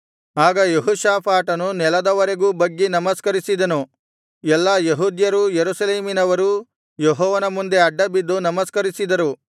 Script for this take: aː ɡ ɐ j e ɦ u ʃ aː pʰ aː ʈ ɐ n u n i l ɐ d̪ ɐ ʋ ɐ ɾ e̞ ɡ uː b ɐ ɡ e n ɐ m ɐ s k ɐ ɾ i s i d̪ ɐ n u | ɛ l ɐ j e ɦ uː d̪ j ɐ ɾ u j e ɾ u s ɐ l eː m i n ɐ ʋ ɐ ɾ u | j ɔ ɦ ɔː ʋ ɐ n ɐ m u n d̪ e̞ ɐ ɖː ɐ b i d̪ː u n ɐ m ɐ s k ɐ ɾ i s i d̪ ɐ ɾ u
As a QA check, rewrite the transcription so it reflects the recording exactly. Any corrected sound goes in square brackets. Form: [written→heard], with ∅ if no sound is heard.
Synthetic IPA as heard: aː ɡ ɐ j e ɦ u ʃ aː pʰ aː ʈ ɐ n u n [i→ɛ] l ɐ d̪ ɐ ʋ ɐ ɾ e̞ ɡ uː b ɐ [ɡ→ɡː] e n ɐ m ɐ s k ɐ ɾ i s i d̪ ɐ n u | ɛ [l→lː] ɐ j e ɦ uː d̪ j ɐ ɾ u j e ɾ u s ɐ l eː m i n ɐ ʋ ɐ ɾ u | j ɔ ɦ ɔː ʋ ɐ n ɐ m u n d̪ e̞ ɐ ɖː ɐ b i d̪ː u n ɐ m ɐ s k ɐ ɾ i s i d̪ ɐ ɾ u

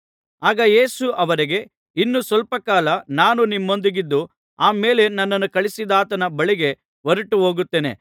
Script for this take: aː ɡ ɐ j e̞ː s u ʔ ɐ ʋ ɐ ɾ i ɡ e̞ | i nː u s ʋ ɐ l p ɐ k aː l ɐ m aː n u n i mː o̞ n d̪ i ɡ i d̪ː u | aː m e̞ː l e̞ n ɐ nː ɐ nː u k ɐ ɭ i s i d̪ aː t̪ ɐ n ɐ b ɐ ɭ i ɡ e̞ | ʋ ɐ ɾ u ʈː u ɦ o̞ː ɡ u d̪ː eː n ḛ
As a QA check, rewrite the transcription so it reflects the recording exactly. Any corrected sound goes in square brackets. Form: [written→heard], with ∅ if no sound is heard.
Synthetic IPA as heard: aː ɡ ɐ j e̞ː s u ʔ ɐ ʋ ɐ ɾ i ɡ e̞ | i nː u s ʋ ɐ l p ɐ k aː l ɐ [m→n] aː n u n i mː o̞ n d̪ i ɡ i d̪ː u | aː m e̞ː l e̞ n ɐ nː ɐ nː u k ɐ ɭ i s i d̪ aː t̪ ɐ n ɐ b ɐ ɭ i ɡ e̞ | ʋ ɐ ɾ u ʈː u ɦ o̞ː ɡ u [d̪ː→t̪ː] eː n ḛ

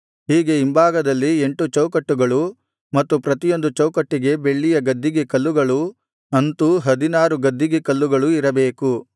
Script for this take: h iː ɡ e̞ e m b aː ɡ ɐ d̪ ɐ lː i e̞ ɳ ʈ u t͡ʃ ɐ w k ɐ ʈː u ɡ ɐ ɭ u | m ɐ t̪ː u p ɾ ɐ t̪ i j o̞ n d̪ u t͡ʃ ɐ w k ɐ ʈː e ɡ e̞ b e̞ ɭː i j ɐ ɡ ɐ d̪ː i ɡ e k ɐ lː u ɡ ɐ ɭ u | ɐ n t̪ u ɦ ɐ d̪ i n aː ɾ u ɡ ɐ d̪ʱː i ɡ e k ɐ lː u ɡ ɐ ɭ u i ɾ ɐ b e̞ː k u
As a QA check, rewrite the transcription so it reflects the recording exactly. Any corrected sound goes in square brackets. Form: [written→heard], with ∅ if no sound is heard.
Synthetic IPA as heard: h iː ɡ e̞ [e→i] m b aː ɡ ɐ d̪ ɐ lː i e̞ ɳ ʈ u t͡ʃ ɐ w k ɐ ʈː u ɡ ɐ ɭ u | m ɐ t̪ː u p ɾ ɐ t̪ i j o̞ n d̪ u t͡ʃ ɐ w k ɐ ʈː [e→i] ɡ e̞ b e̞ ɭː i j ɐ ɡ ɐ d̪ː i ɡ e k ɐ lː u ɡ ɐ ɭ u | ɐ n t̪ u ɦ ɐ d̪ i n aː ɾ u ɡ ɐ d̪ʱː i ɡ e k ɐ lː u ɡ ɐ ɭ u i ɾ ɐ b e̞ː k u

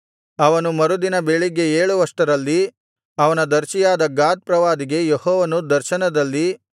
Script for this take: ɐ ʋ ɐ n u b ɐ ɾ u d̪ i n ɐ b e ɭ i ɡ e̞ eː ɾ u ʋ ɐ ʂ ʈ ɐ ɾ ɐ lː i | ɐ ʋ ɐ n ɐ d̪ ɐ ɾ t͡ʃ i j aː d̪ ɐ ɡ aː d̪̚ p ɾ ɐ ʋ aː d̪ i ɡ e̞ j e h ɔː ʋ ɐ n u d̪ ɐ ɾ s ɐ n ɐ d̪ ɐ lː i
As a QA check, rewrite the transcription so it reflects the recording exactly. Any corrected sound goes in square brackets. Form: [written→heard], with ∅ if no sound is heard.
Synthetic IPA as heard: ɐ ʋ ɐ n u [b→m] ɐ ɾ u d̪ i n ɐ b e ɭ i ɡ e̞ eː [ɾ→ɭ] u ʋ ɐ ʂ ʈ ɐ ɾ ɐ lː i | ɐ ʋ ɐ n ɐ d̪ ɐ ɾ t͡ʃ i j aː d̪ ɐ ɡ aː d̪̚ p ɾ ɐ ʋ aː d̪ i ɡ e̞ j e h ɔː ʋ ɐ n u d̪ ɐ ɾ [s→ʃ] ɐ n ɐ d̪ ɐ lː i

